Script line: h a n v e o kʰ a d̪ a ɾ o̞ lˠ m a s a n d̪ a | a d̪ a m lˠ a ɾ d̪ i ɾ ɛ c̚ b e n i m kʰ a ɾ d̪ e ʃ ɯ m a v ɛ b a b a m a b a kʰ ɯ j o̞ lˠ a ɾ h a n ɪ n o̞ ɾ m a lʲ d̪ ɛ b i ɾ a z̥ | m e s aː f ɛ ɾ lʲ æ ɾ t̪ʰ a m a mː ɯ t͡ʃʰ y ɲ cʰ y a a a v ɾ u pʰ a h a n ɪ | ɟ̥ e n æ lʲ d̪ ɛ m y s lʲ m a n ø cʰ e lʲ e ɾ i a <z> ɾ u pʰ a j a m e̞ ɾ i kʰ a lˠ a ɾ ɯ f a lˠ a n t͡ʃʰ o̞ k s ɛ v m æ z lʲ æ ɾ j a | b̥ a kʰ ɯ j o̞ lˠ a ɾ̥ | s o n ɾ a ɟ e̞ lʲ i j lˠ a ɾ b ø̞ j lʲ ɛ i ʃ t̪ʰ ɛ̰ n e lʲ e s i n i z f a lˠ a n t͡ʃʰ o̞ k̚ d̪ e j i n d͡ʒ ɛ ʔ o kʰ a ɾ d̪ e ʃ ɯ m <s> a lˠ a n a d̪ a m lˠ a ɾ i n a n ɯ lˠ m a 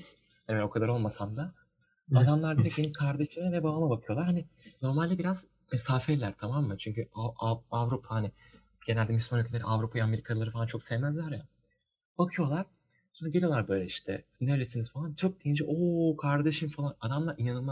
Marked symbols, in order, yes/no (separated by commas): no, no